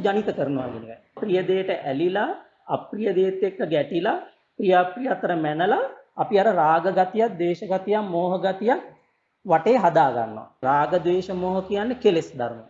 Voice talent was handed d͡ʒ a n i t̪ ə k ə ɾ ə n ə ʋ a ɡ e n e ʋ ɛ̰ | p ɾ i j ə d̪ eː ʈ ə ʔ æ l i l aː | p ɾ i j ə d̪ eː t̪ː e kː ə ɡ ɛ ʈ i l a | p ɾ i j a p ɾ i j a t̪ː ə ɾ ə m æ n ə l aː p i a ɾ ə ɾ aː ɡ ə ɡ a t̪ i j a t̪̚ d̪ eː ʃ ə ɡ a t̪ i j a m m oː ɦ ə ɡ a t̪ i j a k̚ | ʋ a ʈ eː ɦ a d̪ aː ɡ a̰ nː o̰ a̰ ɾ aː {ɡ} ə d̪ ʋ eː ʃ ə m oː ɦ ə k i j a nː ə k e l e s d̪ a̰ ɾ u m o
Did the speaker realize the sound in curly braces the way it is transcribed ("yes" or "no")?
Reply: yes